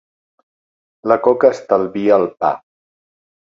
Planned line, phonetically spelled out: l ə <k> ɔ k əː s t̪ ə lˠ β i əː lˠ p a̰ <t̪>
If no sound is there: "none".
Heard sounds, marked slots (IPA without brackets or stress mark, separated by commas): k, none